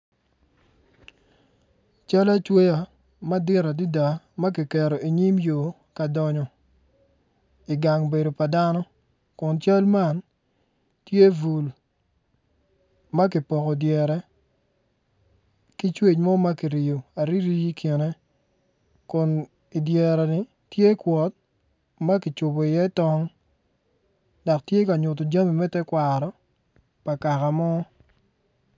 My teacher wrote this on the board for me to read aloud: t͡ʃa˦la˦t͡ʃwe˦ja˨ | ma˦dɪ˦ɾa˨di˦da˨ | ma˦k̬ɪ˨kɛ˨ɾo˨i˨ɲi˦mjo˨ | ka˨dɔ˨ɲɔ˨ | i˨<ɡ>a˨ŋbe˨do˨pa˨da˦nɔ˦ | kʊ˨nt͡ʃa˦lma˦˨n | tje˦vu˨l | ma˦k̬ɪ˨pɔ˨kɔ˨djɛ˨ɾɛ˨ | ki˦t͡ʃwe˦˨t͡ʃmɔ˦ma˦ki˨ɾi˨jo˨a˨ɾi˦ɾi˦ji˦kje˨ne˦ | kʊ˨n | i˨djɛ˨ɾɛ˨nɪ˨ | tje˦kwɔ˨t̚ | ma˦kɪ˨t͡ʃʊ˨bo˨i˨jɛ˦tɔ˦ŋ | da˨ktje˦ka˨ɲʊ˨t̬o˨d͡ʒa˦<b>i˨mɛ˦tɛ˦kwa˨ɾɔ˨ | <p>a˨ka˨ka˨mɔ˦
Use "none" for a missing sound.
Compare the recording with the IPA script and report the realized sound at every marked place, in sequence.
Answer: ɡ, m, p

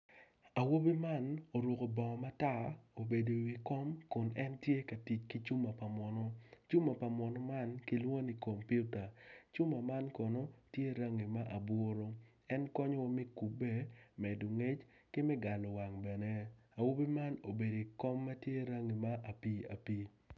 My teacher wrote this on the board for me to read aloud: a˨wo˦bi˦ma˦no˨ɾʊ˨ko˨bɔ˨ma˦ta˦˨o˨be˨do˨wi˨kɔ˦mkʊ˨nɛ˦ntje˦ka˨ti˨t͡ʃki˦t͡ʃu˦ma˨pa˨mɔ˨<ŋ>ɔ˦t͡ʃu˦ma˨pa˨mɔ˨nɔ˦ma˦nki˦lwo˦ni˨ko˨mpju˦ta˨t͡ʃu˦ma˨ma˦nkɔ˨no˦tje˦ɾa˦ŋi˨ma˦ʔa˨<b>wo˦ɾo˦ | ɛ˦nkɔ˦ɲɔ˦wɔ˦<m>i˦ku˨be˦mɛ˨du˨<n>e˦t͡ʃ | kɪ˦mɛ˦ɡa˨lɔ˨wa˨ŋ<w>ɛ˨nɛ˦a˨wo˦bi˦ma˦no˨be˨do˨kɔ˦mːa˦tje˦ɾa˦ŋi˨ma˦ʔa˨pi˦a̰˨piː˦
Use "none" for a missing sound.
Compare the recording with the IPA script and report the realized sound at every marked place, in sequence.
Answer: n, b, m, ŋ, b

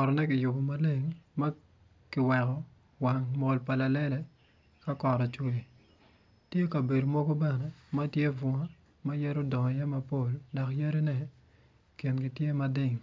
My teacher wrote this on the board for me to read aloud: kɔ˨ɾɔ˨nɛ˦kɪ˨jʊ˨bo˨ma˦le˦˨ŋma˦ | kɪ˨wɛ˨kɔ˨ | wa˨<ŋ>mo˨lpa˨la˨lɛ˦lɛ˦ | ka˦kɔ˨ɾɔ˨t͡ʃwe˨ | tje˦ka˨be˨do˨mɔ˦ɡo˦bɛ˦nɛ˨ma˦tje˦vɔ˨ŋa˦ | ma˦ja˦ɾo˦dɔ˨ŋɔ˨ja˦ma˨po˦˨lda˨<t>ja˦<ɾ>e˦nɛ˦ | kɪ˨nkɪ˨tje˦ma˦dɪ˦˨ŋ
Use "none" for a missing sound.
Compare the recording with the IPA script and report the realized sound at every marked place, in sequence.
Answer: ŋ, k, ɾ

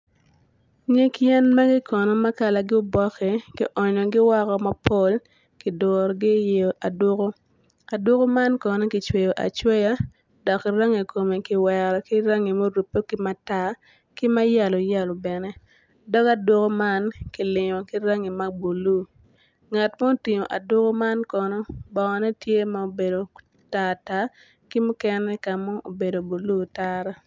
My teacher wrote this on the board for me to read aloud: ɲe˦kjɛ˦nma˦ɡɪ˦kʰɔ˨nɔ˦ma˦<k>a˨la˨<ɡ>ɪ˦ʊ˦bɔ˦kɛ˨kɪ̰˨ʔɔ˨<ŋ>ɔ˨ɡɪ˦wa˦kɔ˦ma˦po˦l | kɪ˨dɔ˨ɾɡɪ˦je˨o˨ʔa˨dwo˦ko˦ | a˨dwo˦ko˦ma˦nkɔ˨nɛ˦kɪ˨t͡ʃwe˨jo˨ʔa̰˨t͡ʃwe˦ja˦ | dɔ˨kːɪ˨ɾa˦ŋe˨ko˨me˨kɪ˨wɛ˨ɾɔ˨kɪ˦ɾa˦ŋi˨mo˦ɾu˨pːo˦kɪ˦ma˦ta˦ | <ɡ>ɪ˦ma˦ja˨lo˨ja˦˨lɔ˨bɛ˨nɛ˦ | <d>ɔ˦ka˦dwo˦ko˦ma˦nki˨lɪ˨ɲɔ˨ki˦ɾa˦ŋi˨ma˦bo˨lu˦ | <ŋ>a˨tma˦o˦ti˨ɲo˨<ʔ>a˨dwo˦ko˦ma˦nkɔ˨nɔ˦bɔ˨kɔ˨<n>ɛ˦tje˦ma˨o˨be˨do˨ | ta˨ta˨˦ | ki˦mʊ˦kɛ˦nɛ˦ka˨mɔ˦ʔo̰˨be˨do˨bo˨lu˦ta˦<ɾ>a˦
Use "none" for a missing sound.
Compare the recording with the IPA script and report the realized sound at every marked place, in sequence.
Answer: k, ɡ, ɲ, k, d, ŋ, ʔ, n, ɾ

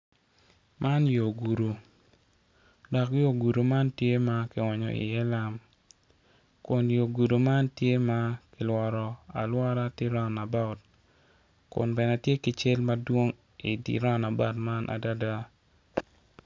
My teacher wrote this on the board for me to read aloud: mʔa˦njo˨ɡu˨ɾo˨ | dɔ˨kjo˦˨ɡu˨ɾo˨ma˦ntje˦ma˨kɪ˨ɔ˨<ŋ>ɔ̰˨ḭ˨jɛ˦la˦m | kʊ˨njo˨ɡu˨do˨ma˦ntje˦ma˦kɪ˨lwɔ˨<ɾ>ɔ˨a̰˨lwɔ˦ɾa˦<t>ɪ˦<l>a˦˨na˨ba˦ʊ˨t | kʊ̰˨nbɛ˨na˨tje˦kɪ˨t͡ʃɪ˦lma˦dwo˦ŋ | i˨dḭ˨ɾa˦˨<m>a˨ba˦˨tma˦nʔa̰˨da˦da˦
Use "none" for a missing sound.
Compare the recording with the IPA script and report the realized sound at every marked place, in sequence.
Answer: ɲ, ɾ, t, ɾ, n

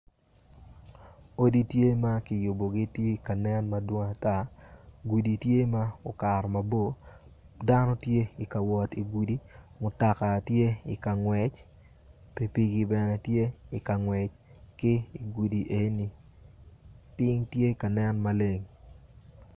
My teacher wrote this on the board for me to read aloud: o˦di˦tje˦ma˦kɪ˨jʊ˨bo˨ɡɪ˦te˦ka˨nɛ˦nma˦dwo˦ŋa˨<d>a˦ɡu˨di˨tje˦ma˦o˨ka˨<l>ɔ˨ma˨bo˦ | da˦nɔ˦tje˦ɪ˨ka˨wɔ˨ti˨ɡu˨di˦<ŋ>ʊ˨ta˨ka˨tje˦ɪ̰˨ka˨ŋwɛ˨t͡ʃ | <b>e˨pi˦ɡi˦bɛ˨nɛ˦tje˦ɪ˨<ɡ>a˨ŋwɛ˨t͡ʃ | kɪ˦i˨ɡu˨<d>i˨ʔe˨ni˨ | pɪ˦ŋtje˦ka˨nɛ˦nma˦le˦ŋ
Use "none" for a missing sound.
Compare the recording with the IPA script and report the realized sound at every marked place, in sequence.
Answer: t, ɾ, m, p, k, d

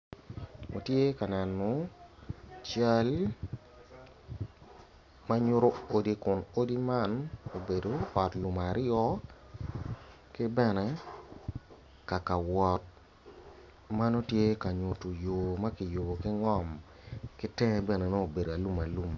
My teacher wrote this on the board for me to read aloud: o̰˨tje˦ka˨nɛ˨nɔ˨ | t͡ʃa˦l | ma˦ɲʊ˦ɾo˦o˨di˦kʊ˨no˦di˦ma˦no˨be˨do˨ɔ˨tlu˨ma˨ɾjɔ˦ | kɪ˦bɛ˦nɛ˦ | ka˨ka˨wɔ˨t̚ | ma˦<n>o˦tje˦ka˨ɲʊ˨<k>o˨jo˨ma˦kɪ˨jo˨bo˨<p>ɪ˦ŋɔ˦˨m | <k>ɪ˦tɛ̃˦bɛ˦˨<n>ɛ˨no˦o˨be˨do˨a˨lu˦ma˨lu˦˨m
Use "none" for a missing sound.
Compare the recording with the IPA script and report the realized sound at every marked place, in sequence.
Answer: n, t, k, k, n

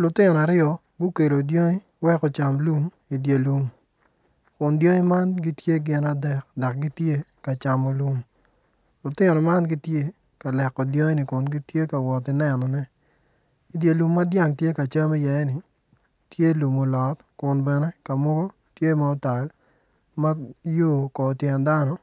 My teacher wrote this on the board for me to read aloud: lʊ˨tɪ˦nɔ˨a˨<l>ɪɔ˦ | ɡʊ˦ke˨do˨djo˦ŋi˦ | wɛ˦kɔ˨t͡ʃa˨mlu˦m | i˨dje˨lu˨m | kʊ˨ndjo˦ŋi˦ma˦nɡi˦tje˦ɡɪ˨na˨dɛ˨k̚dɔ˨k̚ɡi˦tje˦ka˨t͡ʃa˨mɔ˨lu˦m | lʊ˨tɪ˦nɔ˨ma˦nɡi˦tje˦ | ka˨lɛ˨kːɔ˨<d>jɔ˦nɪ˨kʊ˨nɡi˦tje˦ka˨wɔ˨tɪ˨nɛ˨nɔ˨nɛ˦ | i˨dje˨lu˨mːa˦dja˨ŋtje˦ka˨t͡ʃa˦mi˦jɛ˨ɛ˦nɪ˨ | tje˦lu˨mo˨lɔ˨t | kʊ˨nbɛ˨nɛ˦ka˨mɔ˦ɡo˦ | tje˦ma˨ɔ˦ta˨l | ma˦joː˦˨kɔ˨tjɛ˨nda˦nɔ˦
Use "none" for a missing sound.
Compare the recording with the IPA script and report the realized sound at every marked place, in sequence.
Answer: ɾ, d

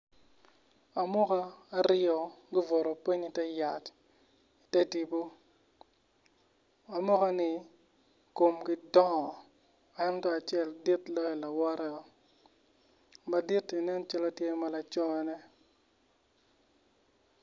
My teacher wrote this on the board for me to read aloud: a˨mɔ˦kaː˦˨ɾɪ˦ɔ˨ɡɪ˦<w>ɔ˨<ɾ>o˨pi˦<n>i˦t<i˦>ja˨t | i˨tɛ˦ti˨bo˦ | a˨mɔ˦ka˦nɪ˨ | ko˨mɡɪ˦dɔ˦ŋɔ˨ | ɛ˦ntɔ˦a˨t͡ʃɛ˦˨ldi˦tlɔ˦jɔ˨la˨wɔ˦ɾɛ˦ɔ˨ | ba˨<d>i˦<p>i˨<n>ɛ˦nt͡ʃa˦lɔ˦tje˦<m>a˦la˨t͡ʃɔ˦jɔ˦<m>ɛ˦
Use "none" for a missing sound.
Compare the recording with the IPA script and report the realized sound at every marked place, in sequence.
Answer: v, ɾ, ɲ, ɛ˦, d, t, n, m, n

